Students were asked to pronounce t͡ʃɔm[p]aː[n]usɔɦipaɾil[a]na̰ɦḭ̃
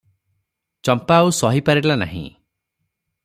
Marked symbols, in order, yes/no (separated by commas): yes, no, yes